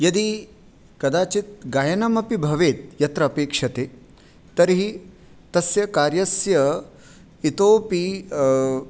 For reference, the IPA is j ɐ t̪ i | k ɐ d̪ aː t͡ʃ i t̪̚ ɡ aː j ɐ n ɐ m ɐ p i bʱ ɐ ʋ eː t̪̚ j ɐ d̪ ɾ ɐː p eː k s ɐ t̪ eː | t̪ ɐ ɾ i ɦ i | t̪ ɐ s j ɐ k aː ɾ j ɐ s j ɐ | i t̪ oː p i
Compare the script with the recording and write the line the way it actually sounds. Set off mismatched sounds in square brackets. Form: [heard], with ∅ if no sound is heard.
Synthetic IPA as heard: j ɐ [d̪] i | k ɐ d̪ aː t͡ʃ i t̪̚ ɡ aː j ɐ n ɐ m ɐ p i bʱ ɐ ʋ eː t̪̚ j ɐ [t̪] ɾ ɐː p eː k [ʂ] ɐ t̪ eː | t̪ ɐ ɾ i ɦ i | t̪ ɐ s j ɐ k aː ɾ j ɐ s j ɐ | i t̪ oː p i